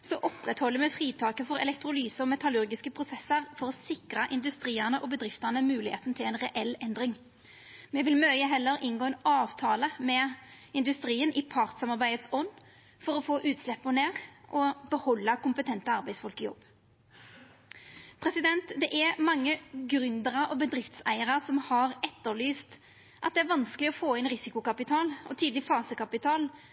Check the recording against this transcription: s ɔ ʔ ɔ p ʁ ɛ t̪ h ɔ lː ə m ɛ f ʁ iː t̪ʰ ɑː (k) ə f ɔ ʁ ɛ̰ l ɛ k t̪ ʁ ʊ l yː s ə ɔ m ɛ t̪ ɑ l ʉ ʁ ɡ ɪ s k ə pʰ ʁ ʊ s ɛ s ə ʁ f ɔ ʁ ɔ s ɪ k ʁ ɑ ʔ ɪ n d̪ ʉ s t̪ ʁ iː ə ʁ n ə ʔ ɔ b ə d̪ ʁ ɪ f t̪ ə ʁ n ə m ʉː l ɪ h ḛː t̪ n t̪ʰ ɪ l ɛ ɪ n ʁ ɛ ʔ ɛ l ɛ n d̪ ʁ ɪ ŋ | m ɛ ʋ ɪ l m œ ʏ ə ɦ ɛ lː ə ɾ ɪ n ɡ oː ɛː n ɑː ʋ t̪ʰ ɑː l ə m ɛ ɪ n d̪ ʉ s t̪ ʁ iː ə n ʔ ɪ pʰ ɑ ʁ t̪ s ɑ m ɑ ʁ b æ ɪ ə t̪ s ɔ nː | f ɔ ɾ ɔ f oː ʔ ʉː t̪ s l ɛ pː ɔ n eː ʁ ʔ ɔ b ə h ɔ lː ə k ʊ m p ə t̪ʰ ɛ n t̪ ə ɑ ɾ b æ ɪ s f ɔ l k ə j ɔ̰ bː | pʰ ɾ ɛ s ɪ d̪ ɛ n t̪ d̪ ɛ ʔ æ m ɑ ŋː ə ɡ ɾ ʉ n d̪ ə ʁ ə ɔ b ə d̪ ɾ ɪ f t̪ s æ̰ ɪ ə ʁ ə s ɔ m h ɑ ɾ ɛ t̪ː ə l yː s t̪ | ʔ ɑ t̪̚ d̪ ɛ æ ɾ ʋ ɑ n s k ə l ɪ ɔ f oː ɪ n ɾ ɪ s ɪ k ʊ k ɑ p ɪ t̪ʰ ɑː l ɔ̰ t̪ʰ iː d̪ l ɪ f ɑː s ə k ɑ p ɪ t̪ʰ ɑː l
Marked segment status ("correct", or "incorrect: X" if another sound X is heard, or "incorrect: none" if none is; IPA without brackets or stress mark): correct